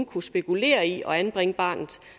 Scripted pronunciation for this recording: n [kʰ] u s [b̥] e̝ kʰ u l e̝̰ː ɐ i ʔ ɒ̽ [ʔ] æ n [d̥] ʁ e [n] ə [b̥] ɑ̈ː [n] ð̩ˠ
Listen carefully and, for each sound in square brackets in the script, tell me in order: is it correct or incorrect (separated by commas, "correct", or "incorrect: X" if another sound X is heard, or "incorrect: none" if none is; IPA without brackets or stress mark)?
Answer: correct, correct, incorrect: none, incorrect: b̥, incorrect: ŋ, correct, correct